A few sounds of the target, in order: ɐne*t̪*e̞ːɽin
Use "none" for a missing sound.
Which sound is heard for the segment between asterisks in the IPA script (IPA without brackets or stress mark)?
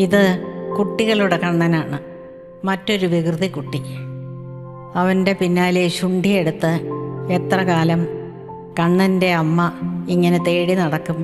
t̪